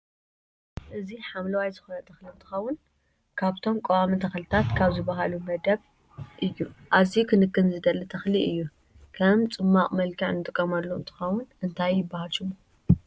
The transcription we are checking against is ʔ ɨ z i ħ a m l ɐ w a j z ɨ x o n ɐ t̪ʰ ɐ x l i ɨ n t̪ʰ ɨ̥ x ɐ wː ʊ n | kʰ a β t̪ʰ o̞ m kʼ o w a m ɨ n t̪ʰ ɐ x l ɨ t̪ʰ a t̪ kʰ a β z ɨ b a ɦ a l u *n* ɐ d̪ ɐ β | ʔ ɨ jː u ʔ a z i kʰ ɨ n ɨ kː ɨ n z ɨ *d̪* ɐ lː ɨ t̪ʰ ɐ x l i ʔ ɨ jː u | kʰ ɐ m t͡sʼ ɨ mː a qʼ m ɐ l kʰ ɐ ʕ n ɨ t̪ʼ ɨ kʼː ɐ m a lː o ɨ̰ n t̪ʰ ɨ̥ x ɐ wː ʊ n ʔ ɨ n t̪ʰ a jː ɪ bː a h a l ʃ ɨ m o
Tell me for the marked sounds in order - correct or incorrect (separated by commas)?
incorrect, correct